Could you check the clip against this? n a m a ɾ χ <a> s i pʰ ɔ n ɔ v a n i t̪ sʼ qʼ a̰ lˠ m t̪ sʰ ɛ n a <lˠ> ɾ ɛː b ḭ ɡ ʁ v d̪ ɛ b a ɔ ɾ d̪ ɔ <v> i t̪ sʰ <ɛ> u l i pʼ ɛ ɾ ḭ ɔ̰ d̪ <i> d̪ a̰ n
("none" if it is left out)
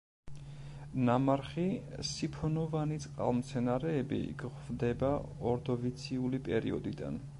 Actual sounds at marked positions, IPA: i, none, v, i, i

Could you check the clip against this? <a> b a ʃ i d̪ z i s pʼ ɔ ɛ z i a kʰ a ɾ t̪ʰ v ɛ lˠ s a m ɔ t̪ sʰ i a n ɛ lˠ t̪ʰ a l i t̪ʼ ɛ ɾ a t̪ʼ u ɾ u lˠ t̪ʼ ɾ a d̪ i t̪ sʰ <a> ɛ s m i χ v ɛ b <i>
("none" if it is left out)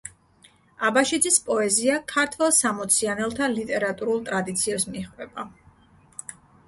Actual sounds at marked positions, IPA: a, i, a

